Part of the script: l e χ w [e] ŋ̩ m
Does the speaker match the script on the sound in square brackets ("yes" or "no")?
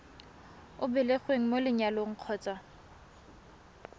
yes